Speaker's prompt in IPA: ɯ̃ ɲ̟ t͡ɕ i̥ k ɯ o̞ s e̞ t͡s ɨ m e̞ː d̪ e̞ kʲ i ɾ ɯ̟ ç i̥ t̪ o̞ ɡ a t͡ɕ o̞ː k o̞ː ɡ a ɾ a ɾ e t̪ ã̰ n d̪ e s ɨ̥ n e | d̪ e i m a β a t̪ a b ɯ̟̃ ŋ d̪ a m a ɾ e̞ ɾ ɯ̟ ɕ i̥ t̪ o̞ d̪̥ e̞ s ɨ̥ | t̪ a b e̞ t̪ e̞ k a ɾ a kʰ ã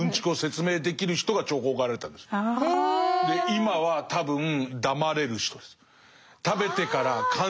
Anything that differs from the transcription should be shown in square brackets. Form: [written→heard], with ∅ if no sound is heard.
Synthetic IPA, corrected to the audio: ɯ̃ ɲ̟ t͡ɕ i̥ k ɯ o̞ s e̞ t͡s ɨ m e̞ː d̪ e̞ kʲ i ɾ ɯ̟ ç i̥ t̪ o̞ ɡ a t͡ɕ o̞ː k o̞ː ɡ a ɾ a ɾ e t̪ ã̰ n d̪ e s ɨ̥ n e | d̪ e i m a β a t̪ a b ɯ̟̃ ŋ d̪ a m a ɾ e̞ ɾ ɯ̟ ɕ i̥ t̪ o̞ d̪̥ e̞ s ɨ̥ | t̪ a b e̞ t̪ e̞ k a ɾ a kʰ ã